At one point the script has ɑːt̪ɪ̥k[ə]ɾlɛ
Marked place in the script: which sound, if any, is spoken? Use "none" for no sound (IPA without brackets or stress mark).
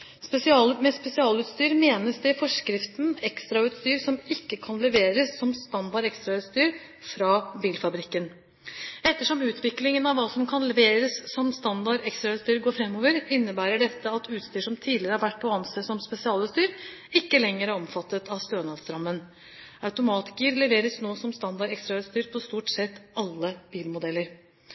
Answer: ə